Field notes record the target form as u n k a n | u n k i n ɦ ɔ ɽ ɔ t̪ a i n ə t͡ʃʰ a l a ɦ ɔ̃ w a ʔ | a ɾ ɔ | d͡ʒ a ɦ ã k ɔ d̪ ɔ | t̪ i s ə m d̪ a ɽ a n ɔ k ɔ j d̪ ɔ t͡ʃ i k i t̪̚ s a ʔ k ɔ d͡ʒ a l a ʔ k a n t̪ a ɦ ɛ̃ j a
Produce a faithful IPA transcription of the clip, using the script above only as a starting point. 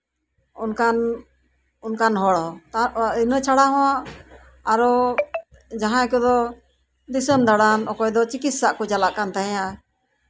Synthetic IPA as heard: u n k a n | u n k a n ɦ ɔ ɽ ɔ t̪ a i n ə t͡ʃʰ a ɽ a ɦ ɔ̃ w a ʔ | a ɾ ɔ | d͡ʒ a ɦ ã k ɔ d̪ ɔ | d̪ i s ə m d̪ a ɽ a n ɔ k ɔ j d̪ ɔ t͡ʃ i k i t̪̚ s a ʔ k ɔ d͡ʒ a l a ʔ k a n t̪ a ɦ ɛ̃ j a